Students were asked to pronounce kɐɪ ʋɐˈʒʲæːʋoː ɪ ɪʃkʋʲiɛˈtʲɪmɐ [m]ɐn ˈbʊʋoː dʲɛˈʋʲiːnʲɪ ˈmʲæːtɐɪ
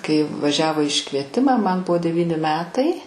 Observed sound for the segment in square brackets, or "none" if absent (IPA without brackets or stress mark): m